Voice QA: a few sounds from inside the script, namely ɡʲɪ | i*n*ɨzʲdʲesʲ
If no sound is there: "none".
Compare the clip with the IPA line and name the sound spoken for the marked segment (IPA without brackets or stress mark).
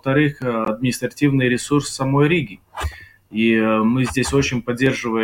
m